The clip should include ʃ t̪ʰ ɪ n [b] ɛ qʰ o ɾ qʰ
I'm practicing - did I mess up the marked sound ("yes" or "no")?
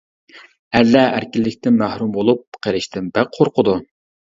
no